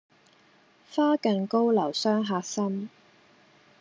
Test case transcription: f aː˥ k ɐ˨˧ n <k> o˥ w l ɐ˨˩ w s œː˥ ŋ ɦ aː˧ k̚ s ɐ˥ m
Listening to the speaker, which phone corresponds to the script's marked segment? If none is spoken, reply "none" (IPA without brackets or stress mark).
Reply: k